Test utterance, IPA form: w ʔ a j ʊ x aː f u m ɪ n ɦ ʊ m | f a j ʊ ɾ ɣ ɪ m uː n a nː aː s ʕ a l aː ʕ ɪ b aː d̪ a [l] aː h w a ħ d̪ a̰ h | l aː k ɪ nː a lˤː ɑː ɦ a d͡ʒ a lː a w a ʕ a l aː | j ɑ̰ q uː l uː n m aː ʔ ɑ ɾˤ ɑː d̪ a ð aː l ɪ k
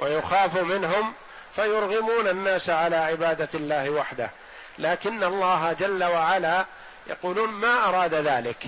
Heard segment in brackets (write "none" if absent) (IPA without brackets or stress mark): lː